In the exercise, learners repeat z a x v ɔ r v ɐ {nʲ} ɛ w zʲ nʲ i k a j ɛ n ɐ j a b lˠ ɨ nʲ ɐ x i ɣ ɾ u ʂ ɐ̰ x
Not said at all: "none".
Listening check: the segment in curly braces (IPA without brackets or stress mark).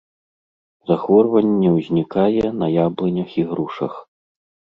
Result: nʲː